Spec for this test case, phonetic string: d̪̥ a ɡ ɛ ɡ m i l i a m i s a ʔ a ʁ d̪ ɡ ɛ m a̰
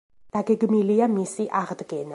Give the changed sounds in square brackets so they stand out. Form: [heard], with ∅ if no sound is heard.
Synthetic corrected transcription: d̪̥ a ɡ ɛ ɡ m i l i a m i s [i] ʔ a ʁ d̪ ɡ ɛ [n] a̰